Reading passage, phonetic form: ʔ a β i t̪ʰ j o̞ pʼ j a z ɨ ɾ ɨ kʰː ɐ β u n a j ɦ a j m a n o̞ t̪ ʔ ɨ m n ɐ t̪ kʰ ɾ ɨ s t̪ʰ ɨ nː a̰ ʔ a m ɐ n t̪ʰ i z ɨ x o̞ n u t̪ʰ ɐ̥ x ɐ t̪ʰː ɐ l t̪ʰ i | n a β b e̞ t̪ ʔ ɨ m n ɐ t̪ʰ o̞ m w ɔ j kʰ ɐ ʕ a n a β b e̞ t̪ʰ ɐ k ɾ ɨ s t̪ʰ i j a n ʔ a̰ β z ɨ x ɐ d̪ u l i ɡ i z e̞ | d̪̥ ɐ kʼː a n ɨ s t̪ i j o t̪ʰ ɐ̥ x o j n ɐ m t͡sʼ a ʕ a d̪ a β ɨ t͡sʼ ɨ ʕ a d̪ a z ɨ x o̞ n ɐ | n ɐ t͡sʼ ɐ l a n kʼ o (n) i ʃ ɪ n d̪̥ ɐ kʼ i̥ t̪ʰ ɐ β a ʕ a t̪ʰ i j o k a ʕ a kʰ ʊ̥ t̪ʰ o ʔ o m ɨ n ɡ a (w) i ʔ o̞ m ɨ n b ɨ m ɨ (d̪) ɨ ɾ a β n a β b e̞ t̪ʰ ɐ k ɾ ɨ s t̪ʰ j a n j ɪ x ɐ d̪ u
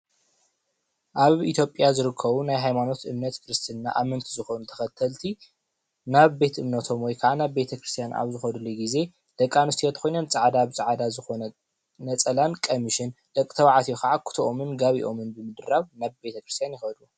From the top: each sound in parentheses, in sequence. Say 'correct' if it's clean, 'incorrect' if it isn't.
incorrect, incorrect, correct

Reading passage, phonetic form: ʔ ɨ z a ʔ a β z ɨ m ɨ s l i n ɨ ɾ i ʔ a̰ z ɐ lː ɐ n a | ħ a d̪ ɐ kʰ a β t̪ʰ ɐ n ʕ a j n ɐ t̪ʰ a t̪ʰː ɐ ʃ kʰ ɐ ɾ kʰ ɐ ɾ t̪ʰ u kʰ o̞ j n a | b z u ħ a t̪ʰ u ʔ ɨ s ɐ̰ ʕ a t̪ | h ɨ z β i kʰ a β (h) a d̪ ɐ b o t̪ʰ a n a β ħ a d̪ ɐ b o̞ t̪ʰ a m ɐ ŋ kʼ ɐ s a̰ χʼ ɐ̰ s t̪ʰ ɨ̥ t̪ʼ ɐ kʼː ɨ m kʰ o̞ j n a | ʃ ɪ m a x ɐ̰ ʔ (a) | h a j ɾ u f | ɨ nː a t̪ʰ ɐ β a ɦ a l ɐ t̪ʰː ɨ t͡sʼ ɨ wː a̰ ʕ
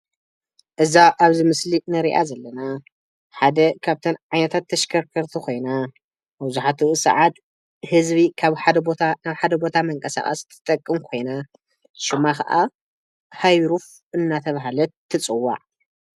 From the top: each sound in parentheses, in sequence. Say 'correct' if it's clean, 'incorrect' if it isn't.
incorrect, correct

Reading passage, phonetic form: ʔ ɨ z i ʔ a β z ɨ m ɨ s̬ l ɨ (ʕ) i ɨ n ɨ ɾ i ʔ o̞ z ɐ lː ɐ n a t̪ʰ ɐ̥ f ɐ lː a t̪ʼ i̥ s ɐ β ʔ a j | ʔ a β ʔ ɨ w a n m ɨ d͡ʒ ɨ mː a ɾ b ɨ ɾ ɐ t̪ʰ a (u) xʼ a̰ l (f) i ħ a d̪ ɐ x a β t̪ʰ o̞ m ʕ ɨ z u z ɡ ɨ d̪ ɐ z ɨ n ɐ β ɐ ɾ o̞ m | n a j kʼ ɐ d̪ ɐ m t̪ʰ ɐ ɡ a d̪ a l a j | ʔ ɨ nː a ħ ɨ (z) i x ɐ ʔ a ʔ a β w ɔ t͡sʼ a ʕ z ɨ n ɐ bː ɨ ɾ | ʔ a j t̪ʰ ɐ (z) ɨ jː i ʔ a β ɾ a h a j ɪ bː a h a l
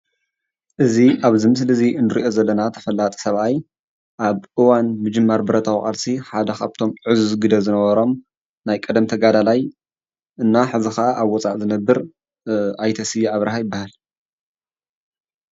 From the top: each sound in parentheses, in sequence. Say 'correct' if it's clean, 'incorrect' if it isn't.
incorrect, incorrect, incorrect, correct, incorrect

